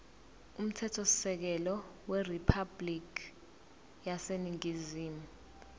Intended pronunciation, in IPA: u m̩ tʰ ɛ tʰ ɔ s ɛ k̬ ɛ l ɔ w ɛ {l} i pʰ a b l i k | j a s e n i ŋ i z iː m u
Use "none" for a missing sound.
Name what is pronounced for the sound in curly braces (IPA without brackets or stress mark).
r